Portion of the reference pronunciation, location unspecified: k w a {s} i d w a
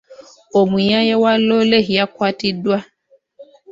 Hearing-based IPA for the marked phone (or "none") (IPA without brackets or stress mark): t